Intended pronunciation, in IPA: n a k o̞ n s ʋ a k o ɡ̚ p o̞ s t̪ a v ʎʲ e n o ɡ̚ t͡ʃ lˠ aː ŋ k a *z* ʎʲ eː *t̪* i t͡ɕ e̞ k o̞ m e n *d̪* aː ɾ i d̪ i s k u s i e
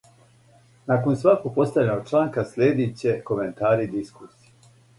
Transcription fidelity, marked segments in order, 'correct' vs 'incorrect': incorrect: s, incorrect: d̪, incorrect: t̪

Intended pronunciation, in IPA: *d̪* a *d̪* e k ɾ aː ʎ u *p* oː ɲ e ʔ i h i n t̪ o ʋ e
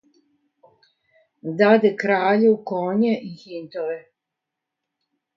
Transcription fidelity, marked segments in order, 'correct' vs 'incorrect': correct, correct, incorrect: k

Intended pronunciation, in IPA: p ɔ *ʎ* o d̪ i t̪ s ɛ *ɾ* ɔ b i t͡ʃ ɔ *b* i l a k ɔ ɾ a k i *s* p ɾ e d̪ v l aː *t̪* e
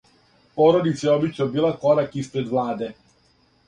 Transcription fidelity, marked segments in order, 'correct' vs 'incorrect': incorrect: ɾ, incorrect: none, correct, correct, incorrect: d̪

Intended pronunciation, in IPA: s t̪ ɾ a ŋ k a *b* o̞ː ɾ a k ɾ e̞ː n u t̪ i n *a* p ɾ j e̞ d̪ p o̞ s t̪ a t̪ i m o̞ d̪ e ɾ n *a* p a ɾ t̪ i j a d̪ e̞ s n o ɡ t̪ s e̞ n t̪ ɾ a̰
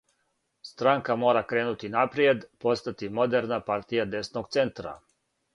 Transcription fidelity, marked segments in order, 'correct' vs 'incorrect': incorrect: m, correct, correct

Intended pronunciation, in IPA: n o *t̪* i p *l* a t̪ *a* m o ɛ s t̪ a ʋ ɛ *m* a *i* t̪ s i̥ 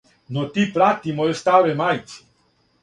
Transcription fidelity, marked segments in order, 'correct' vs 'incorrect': correct, incorrect: ɾ, incorrect: i, correct, incorrect: j

